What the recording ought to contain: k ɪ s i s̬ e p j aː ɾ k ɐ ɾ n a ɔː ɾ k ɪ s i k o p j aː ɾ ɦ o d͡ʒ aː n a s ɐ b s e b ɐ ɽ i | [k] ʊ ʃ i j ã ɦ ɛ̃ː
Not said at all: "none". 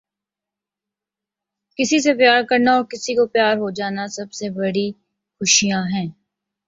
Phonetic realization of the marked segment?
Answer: x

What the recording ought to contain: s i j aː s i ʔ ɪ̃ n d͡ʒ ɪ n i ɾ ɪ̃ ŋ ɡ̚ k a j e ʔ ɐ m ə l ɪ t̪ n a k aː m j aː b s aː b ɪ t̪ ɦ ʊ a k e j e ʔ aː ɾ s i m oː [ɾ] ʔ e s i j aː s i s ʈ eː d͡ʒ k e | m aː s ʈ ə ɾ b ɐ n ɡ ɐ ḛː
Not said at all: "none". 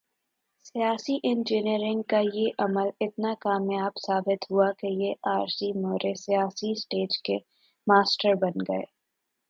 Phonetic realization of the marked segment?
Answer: ɾ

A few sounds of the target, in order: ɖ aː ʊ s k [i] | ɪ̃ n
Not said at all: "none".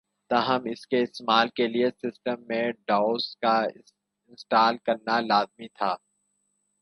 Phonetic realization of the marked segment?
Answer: a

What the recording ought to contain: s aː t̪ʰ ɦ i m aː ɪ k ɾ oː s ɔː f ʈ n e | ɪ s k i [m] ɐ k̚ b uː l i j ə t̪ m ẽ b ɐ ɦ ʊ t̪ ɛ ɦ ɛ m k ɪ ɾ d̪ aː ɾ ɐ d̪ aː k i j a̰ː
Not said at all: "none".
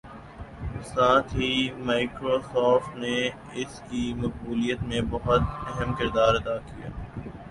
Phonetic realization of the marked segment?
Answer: m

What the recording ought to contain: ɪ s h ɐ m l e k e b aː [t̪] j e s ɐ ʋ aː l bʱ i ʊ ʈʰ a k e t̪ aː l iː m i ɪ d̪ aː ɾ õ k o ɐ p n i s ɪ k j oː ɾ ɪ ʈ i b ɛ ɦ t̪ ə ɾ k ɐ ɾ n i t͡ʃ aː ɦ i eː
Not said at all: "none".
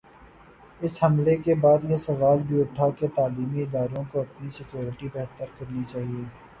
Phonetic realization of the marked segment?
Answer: d̪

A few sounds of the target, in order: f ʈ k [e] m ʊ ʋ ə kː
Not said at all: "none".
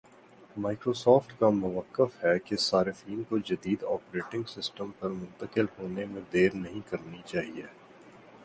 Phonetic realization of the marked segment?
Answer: a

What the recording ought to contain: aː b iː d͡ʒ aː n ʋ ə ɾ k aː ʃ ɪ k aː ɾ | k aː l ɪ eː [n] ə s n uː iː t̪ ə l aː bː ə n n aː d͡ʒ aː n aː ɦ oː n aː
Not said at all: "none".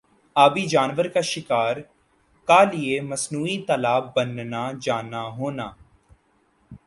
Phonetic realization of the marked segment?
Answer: m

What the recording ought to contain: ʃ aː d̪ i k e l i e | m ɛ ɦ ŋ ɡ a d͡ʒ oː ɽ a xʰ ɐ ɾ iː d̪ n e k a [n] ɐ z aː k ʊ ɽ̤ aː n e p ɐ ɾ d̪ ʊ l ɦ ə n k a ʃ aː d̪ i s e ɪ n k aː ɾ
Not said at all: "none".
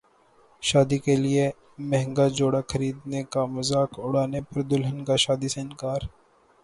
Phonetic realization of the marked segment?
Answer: m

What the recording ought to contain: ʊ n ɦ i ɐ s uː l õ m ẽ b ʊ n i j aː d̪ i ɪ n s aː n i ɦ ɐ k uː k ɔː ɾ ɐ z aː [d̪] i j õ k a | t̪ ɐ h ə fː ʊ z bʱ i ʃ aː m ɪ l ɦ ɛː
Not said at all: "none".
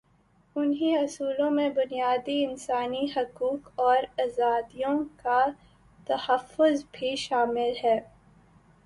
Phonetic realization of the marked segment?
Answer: d̪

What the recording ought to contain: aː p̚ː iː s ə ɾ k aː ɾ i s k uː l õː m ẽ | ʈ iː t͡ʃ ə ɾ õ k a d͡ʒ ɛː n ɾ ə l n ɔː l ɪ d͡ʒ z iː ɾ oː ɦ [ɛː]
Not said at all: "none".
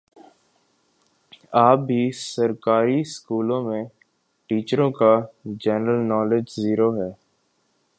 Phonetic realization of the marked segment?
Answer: ɛː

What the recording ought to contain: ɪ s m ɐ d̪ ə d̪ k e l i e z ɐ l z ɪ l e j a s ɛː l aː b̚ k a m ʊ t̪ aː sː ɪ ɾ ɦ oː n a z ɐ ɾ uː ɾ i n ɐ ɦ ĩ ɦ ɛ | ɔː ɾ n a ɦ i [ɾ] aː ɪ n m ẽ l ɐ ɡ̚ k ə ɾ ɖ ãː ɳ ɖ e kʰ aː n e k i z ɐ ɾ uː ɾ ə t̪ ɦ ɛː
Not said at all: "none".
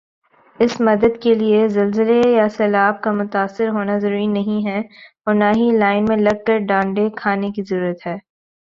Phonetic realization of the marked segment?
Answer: l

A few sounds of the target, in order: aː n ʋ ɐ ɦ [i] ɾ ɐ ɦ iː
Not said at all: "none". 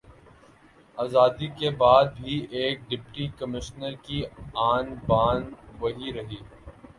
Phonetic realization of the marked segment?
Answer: i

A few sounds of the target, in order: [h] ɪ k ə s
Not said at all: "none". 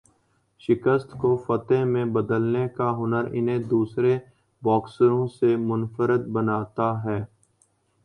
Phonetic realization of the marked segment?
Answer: ʃ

